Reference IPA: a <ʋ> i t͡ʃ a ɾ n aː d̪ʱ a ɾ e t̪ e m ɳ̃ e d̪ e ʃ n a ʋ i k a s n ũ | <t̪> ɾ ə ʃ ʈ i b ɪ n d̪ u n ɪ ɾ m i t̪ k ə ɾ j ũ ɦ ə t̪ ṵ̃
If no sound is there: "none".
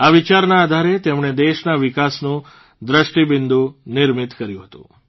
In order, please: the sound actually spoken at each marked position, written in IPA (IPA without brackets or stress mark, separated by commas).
ʋ, d̪